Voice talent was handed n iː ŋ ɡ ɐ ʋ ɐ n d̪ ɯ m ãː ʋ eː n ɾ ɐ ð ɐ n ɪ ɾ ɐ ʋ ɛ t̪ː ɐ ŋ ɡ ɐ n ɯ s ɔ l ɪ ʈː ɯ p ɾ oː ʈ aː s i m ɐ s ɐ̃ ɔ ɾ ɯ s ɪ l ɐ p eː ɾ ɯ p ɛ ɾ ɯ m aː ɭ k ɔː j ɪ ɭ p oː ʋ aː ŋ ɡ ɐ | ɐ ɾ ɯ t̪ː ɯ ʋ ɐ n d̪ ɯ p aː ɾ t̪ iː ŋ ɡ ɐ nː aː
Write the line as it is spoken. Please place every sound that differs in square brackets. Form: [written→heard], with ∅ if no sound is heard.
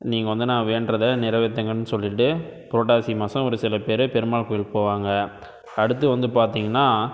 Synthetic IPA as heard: n iː ŋ ɡ ɐ ʋ ɐ n d̪ ɯ [m→n] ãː ʋ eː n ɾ ɐ ð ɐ n ɪ ɾ ɐ ʋ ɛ t̪ː ɐ ŋ ɡ ɐ n ɯ s ɔ [l→lː] ɪ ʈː ɯ p ɾ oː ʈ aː s i m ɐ s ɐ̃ ɔ ɾ ɯ s ɪ l ɐ p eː ɾ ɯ p ɛ ɾ ɯ m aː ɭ k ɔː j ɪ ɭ p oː ʋ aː ŋ ɡ ɐ | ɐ [ɾ→ɽ] ɯ t̪ː ɯ ʋ ɐ n d̪ ɯ p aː ɾ t̪ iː ŋ ɡ ɐ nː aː

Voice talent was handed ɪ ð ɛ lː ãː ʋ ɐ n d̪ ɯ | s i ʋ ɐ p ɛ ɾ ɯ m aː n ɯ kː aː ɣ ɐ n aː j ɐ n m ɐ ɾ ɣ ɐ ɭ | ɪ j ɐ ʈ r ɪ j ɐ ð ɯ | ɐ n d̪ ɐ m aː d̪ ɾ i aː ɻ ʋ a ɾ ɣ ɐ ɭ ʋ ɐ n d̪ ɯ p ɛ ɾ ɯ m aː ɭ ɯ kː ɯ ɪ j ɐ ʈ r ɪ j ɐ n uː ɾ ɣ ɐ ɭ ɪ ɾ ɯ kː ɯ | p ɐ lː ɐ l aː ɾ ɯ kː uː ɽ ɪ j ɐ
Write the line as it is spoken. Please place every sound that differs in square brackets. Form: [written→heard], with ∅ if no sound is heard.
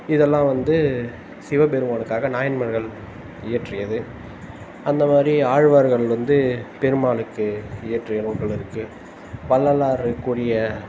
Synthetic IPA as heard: ɪ ð ɛ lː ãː ʋ ɐ n d̪ ɯ | s [i→ɪ] ʋ ɐ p ɛ ɾ ɯ m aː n ɯ kː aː ɣ ɐ n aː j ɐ n m ɐ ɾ ɣ ɐ ɭ | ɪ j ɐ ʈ r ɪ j ɐ ð ɯ | ɐ n d̪ ɐ m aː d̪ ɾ i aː ɻ ʋ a ɾ ɣ ɐ ɭ ʋ ɐ n d̪ ɯ p ɛ ɾ ɯ m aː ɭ ɯ kː ɯ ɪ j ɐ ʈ r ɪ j ɐ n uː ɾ ɣ ɐ ɭ ɪ ɾ ɯ kː ɯ | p ɐ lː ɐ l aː ɾ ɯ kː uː ɽ ɪ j ɐ

